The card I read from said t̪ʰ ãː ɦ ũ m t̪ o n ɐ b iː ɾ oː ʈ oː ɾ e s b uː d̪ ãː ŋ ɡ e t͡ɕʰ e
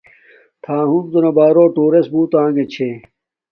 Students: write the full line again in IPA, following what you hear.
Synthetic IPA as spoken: t̪ʰ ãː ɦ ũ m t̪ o n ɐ b aː ɾ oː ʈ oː ɾ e s b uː t̪ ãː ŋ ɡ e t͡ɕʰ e